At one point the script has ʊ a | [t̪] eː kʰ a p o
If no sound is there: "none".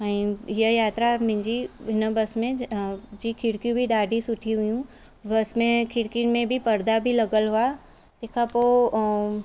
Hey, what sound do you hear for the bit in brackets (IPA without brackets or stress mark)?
t̪